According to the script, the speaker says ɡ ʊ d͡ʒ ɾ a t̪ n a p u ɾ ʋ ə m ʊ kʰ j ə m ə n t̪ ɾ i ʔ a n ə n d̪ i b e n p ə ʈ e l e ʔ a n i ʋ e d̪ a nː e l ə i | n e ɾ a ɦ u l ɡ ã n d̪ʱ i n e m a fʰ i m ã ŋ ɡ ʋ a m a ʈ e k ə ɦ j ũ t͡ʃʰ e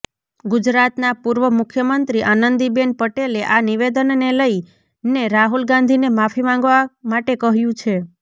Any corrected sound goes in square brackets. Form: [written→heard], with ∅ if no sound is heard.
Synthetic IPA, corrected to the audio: ɡ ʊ d͡ʒ ɾ a t̪ n a p u ɾ ʋ ə m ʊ kʰ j ə m ə n t̪ ɾ i ʔ a n ə n d̪ i b e n p ə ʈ e l e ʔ a n i ʋ e d̪ [a→ə] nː e l ə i | n e ɾ a ɦ u l ɡ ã n d̪ʱ i n e m a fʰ i m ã ŋ ɡ ʋ a m a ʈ e k ə ɦ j ũ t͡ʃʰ e